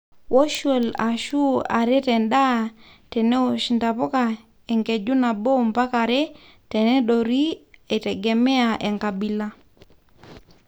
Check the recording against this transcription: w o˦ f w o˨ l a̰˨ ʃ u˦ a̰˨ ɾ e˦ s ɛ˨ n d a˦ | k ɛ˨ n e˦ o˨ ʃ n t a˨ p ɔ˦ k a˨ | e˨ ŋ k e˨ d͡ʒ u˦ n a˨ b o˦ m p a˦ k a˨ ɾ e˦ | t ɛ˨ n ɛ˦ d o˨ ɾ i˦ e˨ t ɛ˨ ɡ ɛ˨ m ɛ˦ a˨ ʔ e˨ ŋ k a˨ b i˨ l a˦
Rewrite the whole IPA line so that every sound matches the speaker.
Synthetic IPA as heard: w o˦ ʃ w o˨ l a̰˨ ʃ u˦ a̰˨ ɾ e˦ t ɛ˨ n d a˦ | t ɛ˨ n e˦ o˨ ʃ n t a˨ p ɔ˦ k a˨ | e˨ ŋ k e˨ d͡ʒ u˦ n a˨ b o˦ m p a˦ k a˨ ɾ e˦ | t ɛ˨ n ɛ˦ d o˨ ɾ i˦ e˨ t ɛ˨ ɡ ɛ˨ m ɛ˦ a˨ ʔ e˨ ŋ k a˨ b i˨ l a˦